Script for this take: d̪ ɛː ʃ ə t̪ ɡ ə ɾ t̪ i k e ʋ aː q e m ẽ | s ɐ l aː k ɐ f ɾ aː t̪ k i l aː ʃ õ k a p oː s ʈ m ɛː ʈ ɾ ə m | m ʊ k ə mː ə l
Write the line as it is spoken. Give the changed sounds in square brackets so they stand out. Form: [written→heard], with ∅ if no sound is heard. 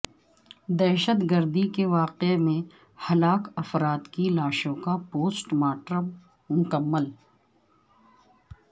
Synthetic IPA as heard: d̪ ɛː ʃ ə t̪ ɡ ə ɾ [t̪→d̪] i k e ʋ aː q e m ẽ | [s→h] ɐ l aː k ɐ f ɾ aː t̪ k i l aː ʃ õ k a p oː s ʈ m [ɛː→aː] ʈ ɾ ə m | m ʊ k ə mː ə l